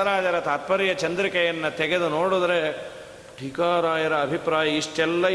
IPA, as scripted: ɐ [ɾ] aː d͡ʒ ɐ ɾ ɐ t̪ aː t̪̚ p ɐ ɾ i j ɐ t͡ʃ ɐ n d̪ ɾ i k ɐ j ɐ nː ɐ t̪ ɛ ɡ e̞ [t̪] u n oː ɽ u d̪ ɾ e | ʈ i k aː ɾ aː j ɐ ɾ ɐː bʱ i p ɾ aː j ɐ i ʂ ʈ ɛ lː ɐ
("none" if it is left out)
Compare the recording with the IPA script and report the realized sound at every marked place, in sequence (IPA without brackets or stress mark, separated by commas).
ɾ, d̪